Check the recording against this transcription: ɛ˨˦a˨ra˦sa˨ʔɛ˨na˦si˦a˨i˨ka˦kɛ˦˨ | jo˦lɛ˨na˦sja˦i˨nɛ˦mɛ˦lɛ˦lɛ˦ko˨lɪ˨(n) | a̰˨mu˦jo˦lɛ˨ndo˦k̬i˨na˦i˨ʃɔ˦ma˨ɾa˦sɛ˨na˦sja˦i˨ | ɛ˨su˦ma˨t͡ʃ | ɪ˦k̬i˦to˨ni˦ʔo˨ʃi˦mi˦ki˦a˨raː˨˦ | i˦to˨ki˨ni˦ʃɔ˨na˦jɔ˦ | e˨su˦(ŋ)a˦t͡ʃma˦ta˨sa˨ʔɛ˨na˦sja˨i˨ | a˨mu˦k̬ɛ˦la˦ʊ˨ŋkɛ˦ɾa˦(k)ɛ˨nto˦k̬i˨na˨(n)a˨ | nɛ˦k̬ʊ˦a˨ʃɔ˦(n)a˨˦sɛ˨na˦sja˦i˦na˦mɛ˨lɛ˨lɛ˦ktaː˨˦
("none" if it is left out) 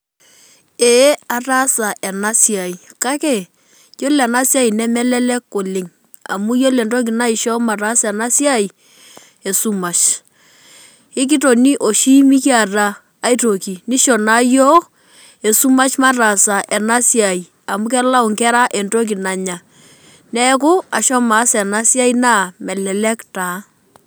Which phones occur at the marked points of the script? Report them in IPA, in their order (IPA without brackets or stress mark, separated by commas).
ŋ, m, ʔ, ɲ, m